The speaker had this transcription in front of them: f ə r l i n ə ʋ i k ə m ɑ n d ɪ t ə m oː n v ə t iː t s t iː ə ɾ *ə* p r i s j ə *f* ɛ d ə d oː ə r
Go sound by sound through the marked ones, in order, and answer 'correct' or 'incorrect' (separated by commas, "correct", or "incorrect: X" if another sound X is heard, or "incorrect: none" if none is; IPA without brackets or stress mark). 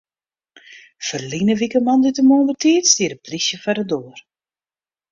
correct, correct